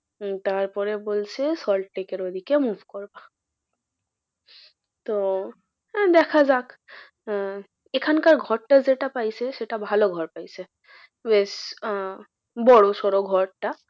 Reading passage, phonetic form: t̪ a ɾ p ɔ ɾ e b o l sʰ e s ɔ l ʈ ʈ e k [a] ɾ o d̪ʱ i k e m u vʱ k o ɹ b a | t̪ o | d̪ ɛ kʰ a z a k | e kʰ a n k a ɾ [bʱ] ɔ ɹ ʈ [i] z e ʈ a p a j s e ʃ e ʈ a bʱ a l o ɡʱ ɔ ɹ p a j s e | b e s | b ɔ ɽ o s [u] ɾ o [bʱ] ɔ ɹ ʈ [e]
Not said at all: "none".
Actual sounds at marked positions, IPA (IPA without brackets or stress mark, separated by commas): e, ɡʱ, a, ɔ, ɡʱ, a